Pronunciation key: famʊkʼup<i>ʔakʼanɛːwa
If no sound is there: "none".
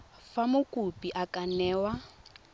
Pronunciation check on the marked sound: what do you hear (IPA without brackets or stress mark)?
i